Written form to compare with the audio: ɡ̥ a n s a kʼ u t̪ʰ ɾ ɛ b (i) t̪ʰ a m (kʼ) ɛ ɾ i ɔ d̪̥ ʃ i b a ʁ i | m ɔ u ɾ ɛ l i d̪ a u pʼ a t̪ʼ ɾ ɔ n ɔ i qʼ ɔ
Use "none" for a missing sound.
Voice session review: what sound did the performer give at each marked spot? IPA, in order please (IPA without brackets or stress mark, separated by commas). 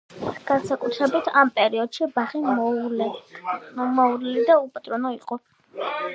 i, pʼ